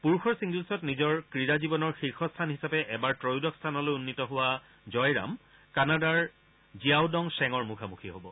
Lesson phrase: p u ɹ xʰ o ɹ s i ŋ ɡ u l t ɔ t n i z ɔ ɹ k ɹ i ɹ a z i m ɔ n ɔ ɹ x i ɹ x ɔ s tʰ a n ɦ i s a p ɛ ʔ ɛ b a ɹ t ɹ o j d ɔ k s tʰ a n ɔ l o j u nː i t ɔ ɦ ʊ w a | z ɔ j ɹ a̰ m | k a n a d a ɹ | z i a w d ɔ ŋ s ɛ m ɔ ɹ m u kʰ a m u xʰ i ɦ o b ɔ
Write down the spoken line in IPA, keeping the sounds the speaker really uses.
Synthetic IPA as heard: p u ɹ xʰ ɔ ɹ s i ŋ ɡ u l s ɔ t n i z ɔ ɹ k ɹ i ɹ a z i b ɔ n ɔ ɹ x i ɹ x ɔ s tʰ a n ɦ i s a p ɛ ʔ ɛ b a ɹ t ɹ o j d ɔ k s tʰ a n ɔ l o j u nː i t ɔ ɦ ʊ w a | z ɔ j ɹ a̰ m | k a n a d a ɹ | z i a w d ɔ ŋ s ɛ ŋ ɔ ɹ m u kʰ a m u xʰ i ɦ o b ɔ